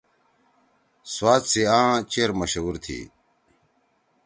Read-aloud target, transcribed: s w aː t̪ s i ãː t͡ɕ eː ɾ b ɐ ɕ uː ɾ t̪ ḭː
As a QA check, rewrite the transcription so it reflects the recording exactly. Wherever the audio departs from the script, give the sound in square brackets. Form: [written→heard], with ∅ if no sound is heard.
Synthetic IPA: s w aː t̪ s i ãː t͡ɕ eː ɾ [b→m] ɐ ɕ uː ɾ [t̪→t̪ʰ] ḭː